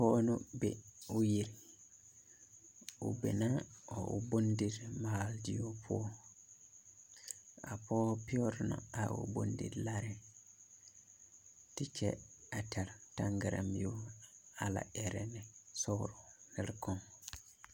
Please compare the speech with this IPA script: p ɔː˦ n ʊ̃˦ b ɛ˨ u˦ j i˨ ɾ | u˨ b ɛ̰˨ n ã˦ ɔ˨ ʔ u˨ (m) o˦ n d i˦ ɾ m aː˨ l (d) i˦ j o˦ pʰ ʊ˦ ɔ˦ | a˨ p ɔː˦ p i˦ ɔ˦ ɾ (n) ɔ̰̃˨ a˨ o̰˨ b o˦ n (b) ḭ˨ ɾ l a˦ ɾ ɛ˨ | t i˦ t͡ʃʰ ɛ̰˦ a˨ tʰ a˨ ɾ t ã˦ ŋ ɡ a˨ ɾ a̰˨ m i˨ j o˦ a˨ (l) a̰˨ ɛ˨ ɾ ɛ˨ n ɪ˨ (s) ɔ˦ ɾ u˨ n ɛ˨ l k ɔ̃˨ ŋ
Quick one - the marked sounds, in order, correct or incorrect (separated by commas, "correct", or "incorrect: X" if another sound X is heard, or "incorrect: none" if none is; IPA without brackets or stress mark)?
incorrect: b, correct, correct, incorrect: d, correct, correct